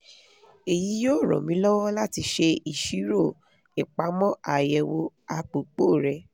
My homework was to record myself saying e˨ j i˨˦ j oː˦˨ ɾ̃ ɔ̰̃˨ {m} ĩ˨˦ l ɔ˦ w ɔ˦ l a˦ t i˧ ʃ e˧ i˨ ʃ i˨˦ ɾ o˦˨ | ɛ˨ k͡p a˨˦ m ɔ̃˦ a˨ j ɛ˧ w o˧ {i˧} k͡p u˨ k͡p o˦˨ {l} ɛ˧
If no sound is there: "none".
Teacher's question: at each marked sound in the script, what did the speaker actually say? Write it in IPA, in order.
m, a˧, ɾ

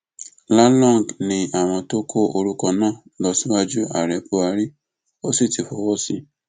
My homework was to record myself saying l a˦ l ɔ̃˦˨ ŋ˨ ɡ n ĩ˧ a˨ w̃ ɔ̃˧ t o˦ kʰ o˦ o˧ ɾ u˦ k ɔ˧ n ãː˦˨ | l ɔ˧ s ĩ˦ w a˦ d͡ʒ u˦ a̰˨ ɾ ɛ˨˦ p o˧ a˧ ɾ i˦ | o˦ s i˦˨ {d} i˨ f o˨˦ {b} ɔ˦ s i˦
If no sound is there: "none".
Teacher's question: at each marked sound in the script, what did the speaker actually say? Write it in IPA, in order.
t, w

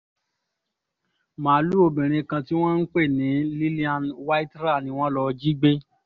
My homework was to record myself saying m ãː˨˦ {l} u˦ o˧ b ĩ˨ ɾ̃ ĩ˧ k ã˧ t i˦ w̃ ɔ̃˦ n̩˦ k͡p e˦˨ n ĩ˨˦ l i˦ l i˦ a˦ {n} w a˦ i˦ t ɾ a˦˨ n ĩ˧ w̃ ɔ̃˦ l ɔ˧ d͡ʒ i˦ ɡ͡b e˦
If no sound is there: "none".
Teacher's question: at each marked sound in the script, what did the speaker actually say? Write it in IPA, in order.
l, n

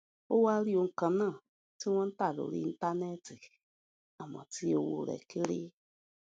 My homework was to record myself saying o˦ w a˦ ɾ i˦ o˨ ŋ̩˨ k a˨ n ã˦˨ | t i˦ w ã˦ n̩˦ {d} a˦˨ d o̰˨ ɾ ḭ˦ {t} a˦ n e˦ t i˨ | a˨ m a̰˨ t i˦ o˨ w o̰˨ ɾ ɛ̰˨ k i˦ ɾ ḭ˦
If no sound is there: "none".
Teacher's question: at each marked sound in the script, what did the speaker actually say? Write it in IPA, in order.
t, t

